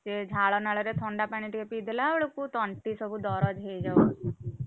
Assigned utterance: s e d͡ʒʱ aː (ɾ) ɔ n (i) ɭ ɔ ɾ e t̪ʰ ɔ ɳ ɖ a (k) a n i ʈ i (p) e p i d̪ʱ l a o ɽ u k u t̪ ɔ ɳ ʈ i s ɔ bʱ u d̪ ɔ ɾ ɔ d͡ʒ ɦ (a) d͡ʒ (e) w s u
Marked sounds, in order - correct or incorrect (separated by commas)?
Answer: incorrect, incorrect, incorrect, incorrect, incorrect, incorrect